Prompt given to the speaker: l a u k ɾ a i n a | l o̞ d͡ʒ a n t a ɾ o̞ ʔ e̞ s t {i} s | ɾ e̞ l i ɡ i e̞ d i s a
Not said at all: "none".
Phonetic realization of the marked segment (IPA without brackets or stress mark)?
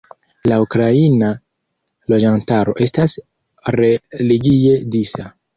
a